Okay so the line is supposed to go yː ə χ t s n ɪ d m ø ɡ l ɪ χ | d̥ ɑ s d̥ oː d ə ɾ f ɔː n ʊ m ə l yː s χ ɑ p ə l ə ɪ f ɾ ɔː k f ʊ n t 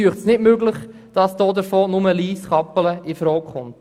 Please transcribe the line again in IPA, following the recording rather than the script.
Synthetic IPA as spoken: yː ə χ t s n ɪ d m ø ɡ l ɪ χ | d̥ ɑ s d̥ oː d ə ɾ f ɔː n ʊ m ə l iː s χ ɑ p ə l ə ɪ f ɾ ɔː k χ ʊ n t